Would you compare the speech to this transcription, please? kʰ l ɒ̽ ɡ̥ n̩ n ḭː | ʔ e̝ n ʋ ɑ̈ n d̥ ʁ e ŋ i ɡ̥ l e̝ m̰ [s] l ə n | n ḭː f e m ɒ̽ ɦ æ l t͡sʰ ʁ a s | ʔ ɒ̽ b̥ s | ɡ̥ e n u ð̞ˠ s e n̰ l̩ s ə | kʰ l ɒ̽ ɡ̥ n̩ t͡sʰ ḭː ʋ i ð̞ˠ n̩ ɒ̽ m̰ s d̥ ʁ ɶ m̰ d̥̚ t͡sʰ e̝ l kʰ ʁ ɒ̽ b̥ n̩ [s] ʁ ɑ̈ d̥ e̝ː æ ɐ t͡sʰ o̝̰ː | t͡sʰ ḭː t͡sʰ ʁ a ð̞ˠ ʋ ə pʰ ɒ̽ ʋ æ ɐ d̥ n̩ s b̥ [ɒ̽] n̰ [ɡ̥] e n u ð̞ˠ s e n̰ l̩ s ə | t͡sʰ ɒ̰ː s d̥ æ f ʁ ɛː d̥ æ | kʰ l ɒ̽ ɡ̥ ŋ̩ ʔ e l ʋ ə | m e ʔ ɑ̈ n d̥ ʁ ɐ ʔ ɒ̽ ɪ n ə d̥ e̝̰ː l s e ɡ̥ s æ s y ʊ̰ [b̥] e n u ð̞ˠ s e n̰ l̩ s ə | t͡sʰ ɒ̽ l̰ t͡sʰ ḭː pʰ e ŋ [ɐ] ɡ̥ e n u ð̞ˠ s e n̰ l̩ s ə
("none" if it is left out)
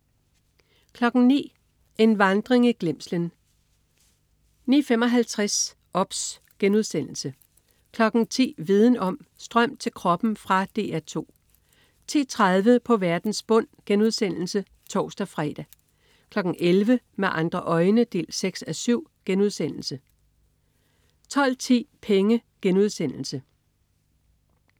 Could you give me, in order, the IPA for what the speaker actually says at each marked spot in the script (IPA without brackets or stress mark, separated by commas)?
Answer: s, f, ɔ̽, ɡ̥, ɡ̥, ə